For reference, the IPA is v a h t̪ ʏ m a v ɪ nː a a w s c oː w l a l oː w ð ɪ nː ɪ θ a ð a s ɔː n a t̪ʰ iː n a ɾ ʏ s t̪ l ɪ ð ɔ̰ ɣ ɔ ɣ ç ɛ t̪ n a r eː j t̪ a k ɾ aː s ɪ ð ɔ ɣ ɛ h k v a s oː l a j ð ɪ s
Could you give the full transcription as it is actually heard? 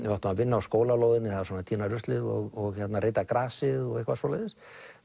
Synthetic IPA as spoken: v a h t̪ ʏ m a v ɪ nː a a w s k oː w l a l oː w ð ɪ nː ɪ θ a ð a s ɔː n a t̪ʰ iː n a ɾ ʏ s t̪ l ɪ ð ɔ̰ ɣ ɔ ɣ ç ɛ t̪ n a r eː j t̪ a k ɾ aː s ɪ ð ɔ ɣ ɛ h k v a s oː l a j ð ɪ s